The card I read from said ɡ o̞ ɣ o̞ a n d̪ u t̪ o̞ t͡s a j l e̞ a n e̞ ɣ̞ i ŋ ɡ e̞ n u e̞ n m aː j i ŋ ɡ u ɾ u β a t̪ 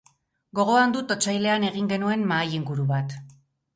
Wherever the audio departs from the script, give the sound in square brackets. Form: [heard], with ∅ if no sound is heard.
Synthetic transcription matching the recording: ɡ o̞ ɣ o̞ a n d̪ u t̪ o̞ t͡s a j l e̞ a n e̞ ɣ̞ i ŋ ɡ e̞ n u e̞ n m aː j i ŋ ɡ u ɾ u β a t̪